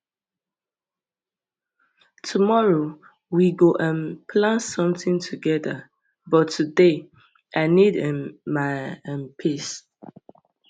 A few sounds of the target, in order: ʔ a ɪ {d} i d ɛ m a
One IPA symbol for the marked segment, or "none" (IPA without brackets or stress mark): n